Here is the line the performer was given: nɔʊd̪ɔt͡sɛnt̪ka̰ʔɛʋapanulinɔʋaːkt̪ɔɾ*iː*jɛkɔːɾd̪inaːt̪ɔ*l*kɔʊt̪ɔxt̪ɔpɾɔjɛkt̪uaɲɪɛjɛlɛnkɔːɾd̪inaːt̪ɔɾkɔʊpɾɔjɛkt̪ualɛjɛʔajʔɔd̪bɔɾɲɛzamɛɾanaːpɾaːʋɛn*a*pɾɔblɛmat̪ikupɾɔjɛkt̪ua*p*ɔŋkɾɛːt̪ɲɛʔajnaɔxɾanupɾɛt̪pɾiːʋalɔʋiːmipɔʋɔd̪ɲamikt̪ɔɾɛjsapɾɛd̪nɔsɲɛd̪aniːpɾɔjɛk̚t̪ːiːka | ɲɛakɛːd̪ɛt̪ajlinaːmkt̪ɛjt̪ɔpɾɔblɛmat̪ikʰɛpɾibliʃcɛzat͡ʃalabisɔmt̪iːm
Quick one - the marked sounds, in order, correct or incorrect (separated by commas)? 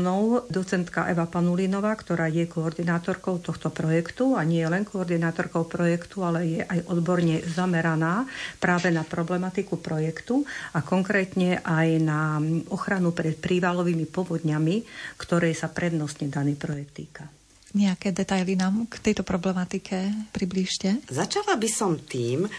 incorrect, incorrect, correct, incorrect